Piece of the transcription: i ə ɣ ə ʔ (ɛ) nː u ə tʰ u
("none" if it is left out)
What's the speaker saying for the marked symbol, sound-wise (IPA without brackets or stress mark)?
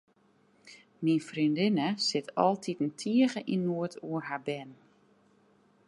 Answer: i